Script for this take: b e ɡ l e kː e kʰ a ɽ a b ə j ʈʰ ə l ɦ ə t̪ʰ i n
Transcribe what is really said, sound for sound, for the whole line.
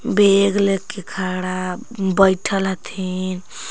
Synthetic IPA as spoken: b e ɡ l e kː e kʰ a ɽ a b ə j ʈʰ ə l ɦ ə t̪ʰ i n